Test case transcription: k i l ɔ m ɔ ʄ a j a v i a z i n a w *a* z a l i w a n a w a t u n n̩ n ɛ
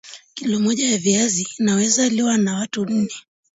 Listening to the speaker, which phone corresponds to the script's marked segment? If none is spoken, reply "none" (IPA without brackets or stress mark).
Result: ɛ